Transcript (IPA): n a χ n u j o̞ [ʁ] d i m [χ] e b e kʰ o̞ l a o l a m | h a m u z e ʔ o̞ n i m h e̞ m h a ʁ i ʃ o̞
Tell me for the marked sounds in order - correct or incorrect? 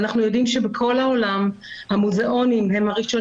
incorrect, incorrect

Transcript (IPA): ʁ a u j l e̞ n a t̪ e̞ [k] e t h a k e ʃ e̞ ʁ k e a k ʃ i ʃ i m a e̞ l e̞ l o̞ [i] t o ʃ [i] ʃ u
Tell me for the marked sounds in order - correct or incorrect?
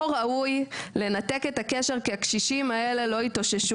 correct, correct, incorrect

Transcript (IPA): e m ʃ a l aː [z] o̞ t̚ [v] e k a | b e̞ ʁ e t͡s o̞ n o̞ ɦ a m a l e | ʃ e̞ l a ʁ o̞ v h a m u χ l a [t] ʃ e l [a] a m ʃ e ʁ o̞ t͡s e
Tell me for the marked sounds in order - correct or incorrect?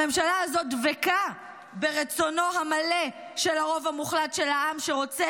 correct, correct, correct, correct

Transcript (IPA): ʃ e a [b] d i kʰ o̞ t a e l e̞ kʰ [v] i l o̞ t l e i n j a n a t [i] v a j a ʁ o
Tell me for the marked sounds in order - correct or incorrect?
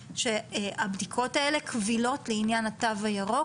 correct, correct, incorrect

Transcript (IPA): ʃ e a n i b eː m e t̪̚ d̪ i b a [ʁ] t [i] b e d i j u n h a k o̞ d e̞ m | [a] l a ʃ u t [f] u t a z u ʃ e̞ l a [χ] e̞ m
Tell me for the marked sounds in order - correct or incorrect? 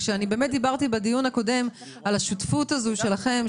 correct, correct, correct, correct, correct

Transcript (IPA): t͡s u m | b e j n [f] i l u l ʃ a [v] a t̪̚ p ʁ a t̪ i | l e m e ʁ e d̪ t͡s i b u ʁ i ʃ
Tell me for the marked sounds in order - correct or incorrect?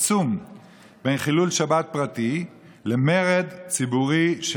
incorrect, incorrect

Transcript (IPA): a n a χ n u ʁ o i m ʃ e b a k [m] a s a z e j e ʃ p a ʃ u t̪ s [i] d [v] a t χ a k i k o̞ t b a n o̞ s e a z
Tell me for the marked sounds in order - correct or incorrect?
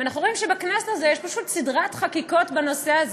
incorrect, correct, incorrect

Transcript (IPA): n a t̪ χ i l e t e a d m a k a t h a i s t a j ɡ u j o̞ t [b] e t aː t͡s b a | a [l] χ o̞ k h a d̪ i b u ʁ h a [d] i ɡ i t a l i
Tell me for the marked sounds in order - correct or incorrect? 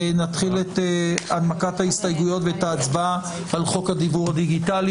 incorrect, correct, correct

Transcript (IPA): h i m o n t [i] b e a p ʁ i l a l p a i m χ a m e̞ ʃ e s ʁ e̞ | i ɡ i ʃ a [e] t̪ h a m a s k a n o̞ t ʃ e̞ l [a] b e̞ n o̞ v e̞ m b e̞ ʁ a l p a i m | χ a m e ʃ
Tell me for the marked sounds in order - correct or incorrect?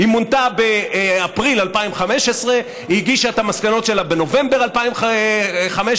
incorrect, correct, correct

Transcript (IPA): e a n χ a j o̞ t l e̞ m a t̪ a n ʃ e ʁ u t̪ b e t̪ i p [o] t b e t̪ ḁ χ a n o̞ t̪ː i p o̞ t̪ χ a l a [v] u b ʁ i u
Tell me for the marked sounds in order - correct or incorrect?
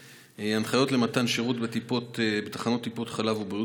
correct, correct

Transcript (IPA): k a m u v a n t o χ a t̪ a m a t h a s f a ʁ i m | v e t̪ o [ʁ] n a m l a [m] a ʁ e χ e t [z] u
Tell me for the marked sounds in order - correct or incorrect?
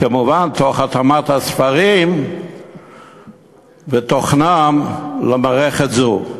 incorrect, correct, correct

